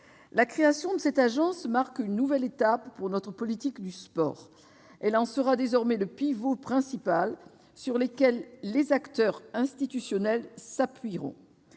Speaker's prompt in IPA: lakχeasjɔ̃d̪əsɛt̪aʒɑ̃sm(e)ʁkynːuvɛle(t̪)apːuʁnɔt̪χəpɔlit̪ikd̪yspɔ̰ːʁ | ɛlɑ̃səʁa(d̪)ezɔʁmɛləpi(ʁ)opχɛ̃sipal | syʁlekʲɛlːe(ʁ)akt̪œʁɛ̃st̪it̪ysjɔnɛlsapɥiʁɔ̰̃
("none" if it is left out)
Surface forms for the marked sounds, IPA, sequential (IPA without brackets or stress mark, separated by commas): a, t̪, d̪, v, z